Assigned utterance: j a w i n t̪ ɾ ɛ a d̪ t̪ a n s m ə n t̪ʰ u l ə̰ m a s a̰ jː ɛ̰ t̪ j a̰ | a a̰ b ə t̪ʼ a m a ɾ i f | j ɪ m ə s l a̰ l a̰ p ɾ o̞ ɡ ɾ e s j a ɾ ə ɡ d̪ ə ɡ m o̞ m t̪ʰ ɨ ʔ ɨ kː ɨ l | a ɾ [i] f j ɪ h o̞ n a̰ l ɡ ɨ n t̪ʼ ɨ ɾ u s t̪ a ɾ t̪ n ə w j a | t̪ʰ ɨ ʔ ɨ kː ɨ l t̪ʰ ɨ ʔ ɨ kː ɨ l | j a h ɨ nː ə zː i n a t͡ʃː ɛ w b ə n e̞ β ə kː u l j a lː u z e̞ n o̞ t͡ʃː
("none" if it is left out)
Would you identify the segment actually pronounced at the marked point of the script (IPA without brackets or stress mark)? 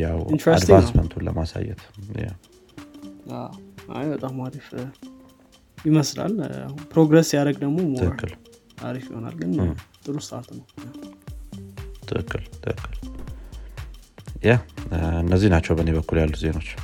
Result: i